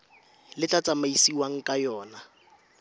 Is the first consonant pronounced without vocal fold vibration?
no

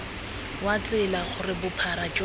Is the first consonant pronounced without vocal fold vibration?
no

